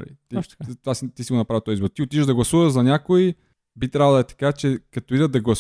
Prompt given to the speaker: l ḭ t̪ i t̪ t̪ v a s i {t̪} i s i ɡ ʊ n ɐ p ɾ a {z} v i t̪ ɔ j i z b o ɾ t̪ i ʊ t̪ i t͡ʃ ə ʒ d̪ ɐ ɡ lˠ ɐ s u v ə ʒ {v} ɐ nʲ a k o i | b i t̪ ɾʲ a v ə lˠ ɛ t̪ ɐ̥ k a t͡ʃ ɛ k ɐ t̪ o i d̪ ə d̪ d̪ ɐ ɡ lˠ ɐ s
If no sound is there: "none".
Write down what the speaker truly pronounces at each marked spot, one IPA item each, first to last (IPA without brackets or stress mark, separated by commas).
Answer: t̪, none, z